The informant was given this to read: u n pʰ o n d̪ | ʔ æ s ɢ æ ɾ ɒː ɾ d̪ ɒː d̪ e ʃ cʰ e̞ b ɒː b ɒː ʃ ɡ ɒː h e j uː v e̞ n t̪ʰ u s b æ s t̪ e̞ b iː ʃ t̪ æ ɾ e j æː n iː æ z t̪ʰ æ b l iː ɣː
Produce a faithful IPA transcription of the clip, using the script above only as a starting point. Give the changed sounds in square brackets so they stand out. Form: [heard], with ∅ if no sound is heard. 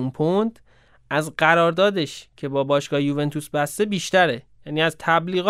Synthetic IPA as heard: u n pʰ o n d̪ | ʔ æ [z] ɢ æ ɾ ɒː ɾ d̪ ɒː d̪ e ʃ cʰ e̞ b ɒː b ɒː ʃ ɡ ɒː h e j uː v e̞ n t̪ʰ u s b æ s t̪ e̞ b iː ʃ t̪ æ ɾ e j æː n iː æ z t̪ʰ æ b l iː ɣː